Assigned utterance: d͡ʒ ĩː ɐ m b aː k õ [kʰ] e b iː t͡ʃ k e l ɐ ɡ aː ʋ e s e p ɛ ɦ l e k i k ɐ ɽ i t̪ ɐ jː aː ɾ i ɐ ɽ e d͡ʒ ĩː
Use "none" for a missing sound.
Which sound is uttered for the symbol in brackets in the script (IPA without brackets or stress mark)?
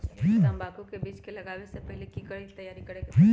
k